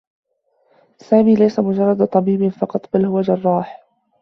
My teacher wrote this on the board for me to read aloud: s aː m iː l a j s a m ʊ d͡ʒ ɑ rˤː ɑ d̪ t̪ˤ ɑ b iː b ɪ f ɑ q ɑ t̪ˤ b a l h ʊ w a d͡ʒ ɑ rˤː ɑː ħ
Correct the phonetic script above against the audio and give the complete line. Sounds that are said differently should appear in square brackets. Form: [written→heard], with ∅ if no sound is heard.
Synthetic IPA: s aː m iː l a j s a m ʊ d͡ʒ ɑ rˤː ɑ d̪ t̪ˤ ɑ b iː b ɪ f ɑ q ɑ t̪ˤ b a l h ʊ w a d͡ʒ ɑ rˤː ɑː ħ